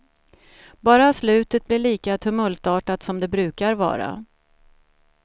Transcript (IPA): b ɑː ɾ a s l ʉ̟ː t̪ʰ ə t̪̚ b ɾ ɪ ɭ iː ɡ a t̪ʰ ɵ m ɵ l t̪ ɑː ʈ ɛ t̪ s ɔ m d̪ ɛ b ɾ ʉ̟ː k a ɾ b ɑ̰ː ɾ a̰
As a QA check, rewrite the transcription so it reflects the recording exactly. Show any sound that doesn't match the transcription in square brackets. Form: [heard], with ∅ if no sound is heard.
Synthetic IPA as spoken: b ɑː ɾ a s l ʉ̟ː [t̪] ə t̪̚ b [l] ɪ ɭ iː [k] a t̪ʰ ɵ m ɵ l t̪ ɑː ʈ [a] t̪ s ɔ m d̪ ɛ b ɾ ʉ̟ː k a ɾ [v] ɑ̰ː ɾ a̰